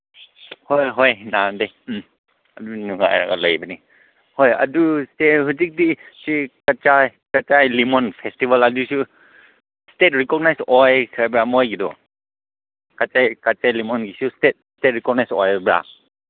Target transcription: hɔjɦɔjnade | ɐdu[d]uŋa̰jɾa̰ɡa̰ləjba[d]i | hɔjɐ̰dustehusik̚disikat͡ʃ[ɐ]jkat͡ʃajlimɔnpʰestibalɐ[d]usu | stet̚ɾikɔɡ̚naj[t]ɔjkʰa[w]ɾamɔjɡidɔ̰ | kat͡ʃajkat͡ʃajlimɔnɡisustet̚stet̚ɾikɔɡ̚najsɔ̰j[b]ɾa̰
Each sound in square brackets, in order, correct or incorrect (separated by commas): incorrect, incorrect, incorrect, correct, incorrect, incorrect, correct